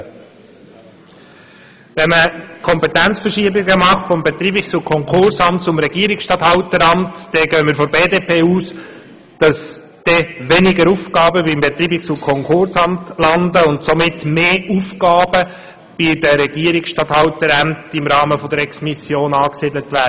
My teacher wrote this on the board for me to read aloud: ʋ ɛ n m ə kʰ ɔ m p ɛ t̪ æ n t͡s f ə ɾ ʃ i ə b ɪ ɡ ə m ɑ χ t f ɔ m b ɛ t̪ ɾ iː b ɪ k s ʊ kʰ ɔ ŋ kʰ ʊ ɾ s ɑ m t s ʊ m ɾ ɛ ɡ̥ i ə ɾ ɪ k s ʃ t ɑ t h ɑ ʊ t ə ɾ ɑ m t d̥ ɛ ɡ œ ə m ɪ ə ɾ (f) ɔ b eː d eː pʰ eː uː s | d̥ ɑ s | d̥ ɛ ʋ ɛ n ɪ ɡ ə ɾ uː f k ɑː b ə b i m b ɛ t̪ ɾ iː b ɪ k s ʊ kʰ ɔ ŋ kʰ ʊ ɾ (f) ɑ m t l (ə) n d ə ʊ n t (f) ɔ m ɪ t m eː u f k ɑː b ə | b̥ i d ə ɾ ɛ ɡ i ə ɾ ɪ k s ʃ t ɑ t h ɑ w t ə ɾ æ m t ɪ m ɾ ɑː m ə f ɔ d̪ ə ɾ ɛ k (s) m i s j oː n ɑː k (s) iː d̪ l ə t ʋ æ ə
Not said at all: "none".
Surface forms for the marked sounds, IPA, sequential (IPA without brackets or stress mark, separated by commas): f, s, ɑ, s, s, s